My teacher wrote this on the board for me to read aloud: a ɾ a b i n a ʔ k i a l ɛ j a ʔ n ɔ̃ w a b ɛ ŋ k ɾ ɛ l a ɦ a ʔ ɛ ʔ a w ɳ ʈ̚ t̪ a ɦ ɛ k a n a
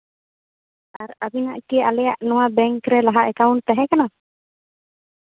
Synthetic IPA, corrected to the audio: a ɾ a b i n a ʔ k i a l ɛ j a ʔ n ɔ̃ w a b ɛ ŋ k ɾ ɛ l a ɦ a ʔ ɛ k a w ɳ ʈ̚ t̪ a ɦ ɛ k a n a